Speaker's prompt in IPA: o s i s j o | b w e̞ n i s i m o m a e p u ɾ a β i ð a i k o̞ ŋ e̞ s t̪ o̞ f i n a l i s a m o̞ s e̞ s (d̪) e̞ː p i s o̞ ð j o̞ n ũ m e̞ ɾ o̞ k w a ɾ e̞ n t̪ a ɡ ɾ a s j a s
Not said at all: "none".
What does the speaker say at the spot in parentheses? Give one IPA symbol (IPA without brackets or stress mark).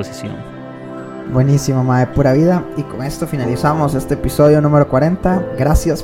t̪